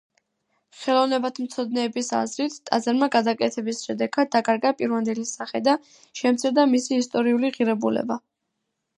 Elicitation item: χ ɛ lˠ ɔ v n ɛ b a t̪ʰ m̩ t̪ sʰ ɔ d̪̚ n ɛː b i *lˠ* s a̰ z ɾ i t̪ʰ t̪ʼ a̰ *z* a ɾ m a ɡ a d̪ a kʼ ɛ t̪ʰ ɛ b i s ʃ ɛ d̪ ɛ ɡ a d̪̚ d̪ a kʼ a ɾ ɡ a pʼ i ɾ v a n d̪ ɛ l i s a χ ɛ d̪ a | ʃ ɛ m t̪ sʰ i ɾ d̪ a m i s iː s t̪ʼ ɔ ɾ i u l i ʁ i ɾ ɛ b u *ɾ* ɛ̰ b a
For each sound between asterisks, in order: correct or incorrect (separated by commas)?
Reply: incorrect, correct, incorrect